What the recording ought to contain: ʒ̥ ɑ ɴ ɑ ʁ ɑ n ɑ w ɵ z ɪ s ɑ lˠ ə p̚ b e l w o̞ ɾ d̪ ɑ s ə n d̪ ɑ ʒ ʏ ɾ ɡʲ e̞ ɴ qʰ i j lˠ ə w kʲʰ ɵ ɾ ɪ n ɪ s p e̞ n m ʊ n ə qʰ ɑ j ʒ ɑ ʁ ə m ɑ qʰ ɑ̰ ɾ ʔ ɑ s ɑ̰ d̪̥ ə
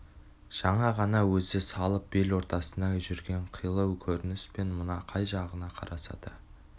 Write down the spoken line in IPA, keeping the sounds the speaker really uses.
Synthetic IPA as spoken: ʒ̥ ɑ ɴ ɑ ʁ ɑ n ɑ w ɵ z ɪ s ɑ lˠ ə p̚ b e l w o̞ ɾ t̪ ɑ s ə n d̪ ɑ ʒ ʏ ɾ ɡʲ e̞ ɴ qʰ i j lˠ ə w kʲʰ ɵ ɾ ɪ n ɪ s p e̞ n m ʊ n ɑ qʰ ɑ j ʒ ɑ ʁ ə n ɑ qʰ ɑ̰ ɾ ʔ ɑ s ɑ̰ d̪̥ ə

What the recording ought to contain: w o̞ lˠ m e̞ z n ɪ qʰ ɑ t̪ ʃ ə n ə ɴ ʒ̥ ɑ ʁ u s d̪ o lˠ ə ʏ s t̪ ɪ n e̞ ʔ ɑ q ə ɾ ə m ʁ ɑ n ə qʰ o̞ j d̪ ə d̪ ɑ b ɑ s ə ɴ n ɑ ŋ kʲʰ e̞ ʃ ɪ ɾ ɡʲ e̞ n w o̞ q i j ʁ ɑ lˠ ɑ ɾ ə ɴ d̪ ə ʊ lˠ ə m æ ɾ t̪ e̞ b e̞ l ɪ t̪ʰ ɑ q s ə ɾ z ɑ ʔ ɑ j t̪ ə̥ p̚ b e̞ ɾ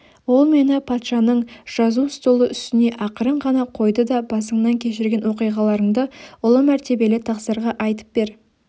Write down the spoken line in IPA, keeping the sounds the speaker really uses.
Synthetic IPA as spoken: w o̞ lˠ m e̞ n ɪ pʰ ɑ t̪ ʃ ɑ n ə ɴ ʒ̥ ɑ z u s t̪ o lˠ ə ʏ s t̪ ɪ n e̞ ʔ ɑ q ə ɾ ə ɴ ʁ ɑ n ɑ qʰ o̞ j d̪ ə d̪ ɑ b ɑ s ə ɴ n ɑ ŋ kʲʰ e̞ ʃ ɪ ɾ ɡʲ e̞ n w o̞ q i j ʁ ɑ lˠ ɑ ɾ ə ɴ d̪ ə ʊ lˠ ə m æ ɾ t̪ e̞ b e̞ l ɪ t̪ʰ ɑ q s ə ɾ ʁ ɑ ʔ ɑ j t̪ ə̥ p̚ b e̞ ɾ

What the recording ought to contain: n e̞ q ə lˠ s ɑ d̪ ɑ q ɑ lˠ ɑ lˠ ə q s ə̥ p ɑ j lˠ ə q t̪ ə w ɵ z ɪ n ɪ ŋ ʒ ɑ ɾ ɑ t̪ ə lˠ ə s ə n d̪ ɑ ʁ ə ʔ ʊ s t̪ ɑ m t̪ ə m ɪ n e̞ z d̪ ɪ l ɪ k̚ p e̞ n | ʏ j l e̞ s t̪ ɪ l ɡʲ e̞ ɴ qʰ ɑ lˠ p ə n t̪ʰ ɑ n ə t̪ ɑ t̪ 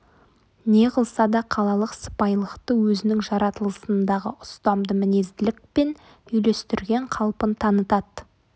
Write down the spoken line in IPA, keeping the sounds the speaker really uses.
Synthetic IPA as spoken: n e̞ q ə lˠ s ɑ d̪ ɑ qʰ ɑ lˠ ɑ lˠ ə q s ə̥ p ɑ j lˠ ə q t̪ ə w ɵ z ɪ n ɪ ŋ ʒ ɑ ɾ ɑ t̪ ə lˠ ə s ə n d̪ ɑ ʁ ə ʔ ʊ s t̪ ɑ m d̪ ə m ɪ n e̞ z d̪ ɪ l ɪ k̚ p e̞ n | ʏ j l e̞ s t̪ ɪ ɾ ɡʲ e̞ ɴ qʰ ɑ lˠ p ə n t̪ʰ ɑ n ə t̪ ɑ t̪

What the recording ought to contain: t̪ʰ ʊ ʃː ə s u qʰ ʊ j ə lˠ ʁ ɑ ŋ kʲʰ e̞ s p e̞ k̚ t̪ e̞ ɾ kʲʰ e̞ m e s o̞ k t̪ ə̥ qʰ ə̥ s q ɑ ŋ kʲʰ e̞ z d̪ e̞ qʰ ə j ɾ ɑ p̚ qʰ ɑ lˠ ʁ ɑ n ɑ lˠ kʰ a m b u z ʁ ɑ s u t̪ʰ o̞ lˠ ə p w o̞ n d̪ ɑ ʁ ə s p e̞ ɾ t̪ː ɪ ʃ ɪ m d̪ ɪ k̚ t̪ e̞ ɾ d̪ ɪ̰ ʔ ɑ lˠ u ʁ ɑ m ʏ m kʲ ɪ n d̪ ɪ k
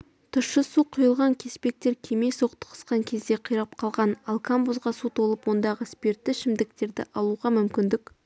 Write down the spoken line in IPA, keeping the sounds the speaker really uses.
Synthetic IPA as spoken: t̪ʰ ʊ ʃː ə s u qʰ ʊ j ə lˠ ʁ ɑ ŋ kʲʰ e̞ s p e̞ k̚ t̪ e̞ ɾ kʲʰ e̞ m e s o̞ q t̪ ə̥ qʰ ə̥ s q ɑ ŋ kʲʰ e̞ z d̪ e̞ qʰ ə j ɾ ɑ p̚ qʰ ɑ lˠ ʁ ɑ n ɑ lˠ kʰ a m b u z ʁ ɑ s u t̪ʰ o̞ lˠ ə p w o̞ n d̪ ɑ ʁ ə s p e̞ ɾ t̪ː ɪ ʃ ɪ m d̪ ɪ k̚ t̪ e̞ ɾ d̪ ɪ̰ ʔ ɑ lˠ u ʁ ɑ m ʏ m kʲ ɪ n d̪ ɪ k

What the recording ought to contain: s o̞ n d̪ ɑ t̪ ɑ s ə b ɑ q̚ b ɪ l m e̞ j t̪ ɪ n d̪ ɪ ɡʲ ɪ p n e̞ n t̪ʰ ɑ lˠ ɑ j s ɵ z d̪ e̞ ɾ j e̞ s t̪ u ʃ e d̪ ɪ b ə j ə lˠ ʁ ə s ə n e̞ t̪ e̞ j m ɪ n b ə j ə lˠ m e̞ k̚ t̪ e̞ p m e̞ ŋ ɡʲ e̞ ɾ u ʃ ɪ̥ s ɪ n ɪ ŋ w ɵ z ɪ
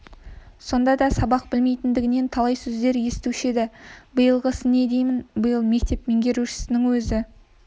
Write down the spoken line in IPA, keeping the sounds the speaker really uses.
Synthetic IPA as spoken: s o̞ n d̪ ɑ d̪ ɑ s ɑ b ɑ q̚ b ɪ l m e̞ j t̪ ɪ n d̪ ɪ ɡʲ ɪ n e̞ n t̪ʰ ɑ lˠ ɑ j s ɵ z d̪ e̞ ɾ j e̞ s t̪ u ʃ e d̪ ɪ b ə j ə lˠ ʁ ə s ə n e̞ d̪ e̞ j m ɪ n b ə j ə lˠ m e̞ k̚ t̪ e̞ p m e̞ ŋ ɡʲ e̞ ɾ u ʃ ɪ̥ s ɪ n ɪ ŋ w ɵ z ɪ

